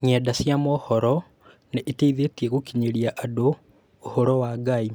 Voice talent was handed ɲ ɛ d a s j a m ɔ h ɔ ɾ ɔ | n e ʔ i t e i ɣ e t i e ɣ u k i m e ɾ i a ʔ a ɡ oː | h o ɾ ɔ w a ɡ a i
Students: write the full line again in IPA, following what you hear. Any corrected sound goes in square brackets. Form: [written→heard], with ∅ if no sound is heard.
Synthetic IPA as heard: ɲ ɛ d a s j a m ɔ h ɔ ɾ ɔ | n e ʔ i t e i [ɣ→ð] e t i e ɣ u k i [m→ɲ] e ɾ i a ʔ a [ɡ→d] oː | h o ɾ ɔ w a ɡ a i